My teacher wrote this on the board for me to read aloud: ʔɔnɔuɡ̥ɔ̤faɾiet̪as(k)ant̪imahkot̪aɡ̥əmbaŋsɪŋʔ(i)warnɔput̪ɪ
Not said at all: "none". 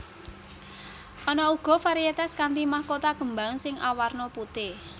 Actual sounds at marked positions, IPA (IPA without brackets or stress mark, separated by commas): k, a